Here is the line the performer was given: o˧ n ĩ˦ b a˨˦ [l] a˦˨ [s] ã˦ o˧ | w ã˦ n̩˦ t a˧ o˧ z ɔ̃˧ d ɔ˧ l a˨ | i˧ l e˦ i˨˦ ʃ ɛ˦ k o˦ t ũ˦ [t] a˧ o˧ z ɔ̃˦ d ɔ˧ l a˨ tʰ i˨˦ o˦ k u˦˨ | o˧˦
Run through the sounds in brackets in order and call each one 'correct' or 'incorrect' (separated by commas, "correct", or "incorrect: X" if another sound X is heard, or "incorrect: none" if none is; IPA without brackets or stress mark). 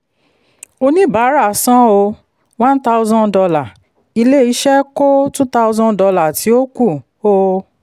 incorrect: ɾ, correct, correct